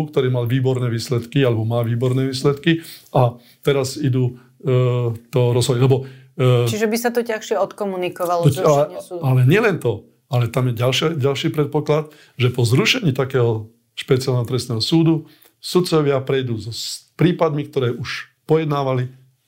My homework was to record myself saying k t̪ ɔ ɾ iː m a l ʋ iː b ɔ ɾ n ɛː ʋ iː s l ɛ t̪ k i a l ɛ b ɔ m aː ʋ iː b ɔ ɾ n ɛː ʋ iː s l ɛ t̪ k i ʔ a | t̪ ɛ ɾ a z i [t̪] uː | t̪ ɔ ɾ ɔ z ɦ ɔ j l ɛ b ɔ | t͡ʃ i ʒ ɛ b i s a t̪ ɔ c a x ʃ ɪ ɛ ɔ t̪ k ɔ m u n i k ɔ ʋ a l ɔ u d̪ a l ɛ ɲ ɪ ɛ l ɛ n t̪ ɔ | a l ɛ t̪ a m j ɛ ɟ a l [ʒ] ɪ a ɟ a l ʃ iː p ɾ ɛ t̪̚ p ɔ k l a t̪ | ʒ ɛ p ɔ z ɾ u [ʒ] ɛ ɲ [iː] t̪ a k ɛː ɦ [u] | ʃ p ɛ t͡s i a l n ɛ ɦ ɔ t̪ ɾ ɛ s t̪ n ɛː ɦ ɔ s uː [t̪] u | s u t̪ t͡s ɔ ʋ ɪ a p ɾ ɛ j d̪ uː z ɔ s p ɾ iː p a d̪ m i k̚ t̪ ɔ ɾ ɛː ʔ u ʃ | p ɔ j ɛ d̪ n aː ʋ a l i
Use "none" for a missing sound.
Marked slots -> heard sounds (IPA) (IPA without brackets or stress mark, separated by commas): d̪, ʃ, ʃ, iː, ɔ, d̪